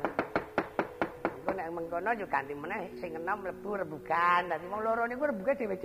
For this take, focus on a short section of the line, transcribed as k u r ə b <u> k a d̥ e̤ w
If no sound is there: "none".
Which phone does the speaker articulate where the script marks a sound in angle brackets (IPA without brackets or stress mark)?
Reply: u